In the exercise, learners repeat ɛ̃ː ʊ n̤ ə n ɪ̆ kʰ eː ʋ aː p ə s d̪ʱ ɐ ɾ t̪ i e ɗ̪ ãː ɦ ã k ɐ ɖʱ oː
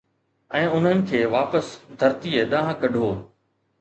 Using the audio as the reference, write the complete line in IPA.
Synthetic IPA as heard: ɛ̃ː ʊ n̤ ə n ɪ̆ kʰ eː ʋ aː p ə s d̪ʱ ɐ ɾ t̪ i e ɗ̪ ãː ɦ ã k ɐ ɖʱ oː